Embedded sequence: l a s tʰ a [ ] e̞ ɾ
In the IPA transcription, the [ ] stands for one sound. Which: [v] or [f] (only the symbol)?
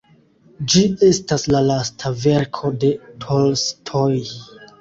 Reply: v